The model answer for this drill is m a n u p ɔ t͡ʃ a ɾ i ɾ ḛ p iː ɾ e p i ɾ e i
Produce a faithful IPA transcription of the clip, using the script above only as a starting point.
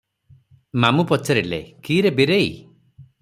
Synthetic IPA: m a m u p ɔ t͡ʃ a ɾ i l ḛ k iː ɾ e b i ɾ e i